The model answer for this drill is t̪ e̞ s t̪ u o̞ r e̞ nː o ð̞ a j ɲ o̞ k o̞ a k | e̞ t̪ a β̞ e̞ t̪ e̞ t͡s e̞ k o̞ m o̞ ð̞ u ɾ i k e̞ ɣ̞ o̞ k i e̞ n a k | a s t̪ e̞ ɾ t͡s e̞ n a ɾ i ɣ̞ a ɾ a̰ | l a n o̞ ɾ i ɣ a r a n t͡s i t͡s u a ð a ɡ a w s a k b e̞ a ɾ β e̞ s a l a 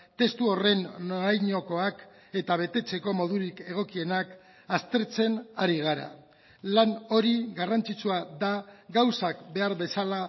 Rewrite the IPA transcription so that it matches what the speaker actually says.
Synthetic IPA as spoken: t̪ e̞ s t̪ u o̞ r e̞ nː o a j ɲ o̞ k o̞ a k | e̞ t̪ a β̞ e̞ t̪ e̞ t͡s e̞ k o̞ m o̞ ð̞ u ɾ i k e̞ ɣ̞ o̞ k i e̞ n a k | a s t̪ e̞ ɾ t͡s e̞ n a ɾ i ɣ̞ a ɾ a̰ | l a n o̞ ɾ i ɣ a r a n t͡s i t͡s u a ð a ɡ a w s a k b e̞ a ɾ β e̞ s a l a